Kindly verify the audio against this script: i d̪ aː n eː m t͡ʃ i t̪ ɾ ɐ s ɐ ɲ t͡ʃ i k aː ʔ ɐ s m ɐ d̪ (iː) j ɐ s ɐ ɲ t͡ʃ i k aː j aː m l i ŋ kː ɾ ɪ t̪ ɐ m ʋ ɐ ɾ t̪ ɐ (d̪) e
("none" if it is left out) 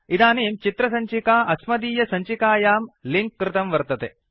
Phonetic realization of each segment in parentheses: iː, t̪

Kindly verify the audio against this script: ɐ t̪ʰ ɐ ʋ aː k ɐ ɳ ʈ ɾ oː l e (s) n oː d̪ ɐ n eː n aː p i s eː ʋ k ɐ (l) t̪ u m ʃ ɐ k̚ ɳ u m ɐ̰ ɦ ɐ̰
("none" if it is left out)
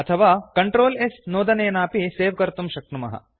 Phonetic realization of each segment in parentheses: s, ɾ

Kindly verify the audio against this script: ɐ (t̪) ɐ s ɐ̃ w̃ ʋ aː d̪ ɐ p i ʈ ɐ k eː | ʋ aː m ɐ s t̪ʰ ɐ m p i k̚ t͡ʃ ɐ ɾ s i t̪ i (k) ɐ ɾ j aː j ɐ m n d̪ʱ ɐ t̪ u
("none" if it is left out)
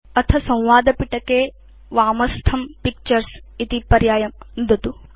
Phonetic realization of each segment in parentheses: t̪ʰ, p

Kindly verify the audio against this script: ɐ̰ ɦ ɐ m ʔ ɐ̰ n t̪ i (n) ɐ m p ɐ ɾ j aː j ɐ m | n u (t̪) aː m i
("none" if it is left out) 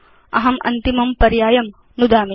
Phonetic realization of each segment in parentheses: m, d̪

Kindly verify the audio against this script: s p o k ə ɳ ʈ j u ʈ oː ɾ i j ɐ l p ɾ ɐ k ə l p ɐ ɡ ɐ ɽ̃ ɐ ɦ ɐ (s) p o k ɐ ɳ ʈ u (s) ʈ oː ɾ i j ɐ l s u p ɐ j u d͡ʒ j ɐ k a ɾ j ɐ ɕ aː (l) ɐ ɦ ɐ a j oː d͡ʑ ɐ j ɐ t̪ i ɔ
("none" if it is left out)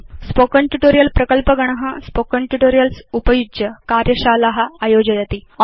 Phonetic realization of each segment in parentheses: s, none, l

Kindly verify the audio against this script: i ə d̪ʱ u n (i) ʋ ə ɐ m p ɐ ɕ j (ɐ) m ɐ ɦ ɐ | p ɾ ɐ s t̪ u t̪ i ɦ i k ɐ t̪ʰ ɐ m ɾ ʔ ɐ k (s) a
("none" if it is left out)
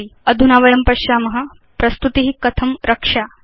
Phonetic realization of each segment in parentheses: a, a, ʂ

